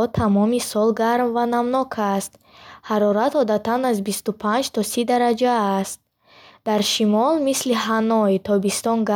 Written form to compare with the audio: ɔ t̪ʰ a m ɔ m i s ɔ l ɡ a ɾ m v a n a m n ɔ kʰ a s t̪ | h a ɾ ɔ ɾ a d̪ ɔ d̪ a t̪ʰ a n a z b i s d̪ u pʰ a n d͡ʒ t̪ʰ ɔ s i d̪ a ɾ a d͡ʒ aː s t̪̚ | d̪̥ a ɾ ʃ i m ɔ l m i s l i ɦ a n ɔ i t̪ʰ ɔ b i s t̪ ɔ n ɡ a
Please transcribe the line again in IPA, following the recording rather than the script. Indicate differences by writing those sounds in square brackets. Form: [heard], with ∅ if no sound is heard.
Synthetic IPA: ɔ t̪ʰ a m ɔ m i s ɔ l ɡ a ɾ m v a n a m n ɔ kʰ a s t̪ | h a ɾ ɔ ɾ a [t̪] ɔ d̪ a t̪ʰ a n a z b i s [t̪] u pʰ a n d͡ʒ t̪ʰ ɔ s i d̪ a ɾ a d͡ʒ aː s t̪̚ | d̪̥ a ɾ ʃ i m ɔ l m i s l i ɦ a n ɔ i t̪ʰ ɔ b i s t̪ ɔ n ɡ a